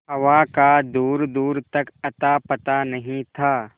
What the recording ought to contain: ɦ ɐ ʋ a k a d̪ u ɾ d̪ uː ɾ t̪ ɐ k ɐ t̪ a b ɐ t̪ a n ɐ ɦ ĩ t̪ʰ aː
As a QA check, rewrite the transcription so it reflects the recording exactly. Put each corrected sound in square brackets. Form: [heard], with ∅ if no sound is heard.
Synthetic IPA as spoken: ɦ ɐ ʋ a k a d̪ [uː] ɾ d̪ uː ɾ t̪ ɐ k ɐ t̪ a [p] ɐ t̪ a n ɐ ɦ ĩ t̪ʰ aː